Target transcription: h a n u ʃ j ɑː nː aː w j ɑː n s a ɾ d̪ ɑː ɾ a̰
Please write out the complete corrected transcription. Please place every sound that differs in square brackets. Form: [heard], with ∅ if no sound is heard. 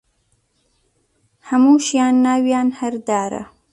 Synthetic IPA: h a [m] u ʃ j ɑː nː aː w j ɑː n [h] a ɾ d̪ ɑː ɾ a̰